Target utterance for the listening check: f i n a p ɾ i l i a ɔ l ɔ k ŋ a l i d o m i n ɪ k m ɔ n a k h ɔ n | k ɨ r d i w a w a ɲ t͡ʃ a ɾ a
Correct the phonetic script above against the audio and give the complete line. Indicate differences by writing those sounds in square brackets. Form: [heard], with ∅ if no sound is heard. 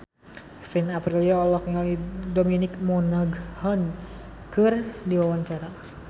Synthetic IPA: [s] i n a p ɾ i l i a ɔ l ɔ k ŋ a l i d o m i n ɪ k m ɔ n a [ɡ] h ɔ n | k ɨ r d i w a w a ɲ t͡ʃ a ɾ a